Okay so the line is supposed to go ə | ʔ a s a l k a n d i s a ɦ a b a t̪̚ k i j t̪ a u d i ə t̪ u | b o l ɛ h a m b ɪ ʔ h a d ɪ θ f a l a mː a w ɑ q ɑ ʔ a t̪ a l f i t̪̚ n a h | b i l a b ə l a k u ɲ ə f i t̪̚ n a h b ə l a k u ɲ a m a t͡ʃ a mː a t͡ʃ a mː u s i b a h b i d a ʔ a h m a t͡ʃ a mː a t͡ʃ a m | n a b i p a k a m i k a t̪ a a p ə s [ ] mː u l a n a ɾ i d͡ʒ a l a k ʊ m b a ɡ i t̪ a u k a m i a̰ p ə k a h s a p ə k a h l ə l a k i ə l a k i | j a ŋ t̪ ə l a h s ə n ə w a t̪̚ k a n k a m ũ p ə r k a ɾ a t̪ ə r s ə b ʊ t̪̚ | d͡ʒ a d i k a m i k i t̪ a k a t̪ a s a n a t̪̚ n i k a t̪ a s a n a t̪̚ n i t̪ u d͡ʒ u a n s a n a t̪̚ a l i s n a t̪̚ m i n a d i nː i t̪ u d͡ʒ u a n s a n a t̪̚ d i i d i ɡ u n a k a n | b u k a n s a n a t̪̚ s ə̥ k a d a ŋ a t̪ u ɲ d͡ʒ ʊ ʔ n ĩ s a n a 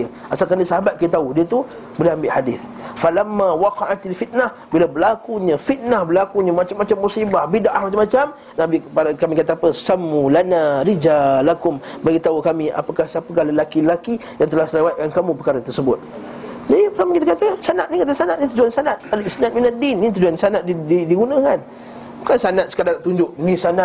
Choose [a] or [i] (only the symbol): a